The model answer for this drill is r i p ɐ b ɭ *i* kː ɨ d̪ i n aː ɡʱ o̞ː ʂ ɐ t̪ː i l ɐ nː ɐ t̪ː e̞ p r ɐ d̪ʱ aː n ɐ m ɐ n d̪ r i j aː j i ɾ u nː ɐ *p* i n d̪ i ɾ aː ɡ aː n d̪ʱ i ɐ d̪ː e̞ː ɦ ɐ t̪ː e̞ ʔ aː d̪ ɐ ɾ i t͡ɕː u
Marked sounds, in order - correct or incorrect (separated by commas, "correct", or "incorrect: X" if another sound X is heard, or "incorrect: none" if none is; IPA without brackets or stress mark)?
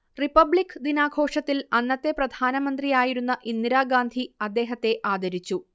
correct, incorrect: ʔ